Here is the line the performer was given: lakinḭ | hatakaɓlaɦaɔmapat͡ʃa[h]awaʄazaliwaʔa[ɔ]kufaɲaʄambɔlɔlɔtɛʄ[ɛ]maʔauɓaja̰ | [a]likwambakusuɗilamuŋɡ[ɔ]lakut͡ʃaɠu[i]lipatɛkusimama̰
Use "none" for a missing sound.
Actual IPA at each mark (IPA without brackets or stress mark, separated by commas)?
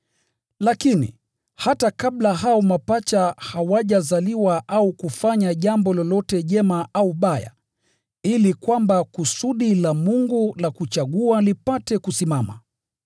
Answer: h, u, ɛ, i, u, a